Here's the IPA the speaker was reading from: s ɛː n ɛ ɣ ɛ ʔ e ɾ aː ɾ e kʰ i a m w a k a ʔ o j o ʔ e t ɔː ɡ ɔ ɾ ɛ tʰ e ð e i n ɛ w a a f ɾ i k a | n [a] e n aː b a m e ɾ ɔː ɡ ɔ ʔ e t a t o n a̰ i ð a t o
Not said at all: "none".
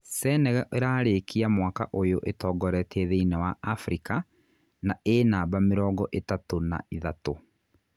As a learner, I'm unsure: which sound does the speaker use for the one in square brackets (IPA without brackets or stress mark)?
a